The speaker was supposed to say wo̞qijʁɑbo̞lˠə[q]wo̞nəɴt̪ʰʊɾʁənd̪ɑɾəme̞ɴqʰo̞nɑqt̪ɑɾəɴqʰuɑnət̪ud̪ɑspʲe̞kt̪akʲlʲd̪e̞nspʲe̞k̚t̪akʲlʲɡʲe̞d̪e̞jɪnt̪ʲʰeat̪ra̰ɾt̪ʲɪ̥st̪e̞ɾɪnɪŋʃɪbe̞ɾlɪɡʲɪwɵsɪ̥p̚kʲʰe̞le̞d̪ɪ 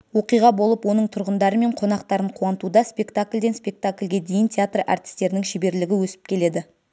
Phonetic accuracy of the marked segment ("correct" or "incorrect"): incorrect